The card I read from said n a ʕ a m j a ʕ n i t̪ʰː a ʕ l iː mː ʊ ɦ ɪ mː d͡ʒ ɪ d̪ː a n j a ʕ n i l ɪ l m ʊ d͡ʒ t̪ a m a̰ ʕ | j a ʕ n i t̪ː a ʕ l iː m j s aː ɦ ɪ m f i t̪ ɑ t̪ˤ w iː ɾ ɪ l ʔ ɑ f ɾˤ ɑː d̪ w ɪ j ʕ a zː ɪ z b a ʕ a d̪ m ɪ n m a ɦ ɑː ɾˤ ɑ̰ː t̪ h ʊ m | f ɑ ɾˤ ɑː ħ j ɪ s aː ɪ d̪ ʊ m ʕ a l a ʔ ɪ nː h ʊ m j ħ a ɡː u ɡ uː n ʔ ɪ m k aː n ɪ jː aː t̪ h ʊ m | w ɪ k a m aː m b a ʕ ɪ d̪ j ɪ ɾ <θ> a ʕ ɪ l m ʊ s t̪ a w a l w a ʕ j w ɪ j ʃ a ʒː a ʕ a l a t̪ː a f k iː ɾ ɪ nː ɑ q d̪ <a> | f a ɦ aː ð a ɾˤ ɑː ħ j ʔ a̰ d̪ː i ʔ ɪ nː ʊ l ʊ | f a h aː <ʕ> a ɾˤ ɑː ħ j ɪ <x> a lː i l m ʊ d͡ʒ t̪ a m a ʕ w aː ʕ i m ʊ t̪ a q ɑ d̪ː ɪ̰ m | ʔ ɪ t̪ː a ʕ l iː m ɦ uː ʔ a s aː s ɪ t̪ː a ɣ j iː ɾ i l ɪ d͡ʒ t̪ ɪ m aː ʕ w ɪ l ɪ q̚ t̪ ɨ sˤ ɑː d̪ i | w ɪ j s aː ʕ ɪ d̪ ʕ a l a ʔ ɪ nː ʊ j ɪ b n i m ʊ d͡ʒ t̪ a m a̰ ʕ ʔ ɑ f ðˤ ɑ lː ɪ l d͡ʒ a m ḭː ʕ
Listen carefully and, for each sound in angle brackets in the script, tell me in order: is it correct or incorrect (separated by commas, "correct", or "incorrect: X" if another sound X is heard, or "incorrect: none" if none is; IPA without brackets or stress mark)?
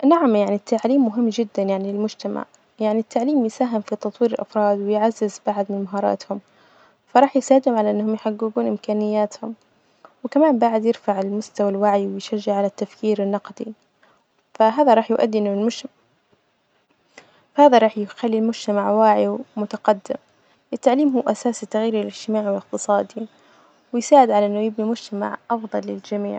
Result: incorrect: f, incorrect: i, incorrect: ð, correct